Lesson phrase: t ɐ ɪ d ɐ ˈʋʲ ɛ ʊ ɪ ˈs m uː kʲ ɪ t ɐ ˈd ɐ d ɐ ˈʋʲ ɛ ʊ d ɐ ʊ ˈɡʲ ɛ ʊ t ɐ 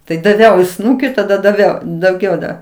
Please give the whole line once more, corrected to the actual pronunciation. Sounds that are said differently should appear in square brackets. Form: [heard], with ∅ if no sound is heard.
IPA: t ɐ ɪ d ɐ ˈʋʲ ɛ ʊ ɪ ˈs [n] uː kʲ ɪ t ɐ ˈd ɐ d ɐ ˈʋʲ ɛ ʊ d ɐ ʊ ˈɡʲ ɛ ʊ [d] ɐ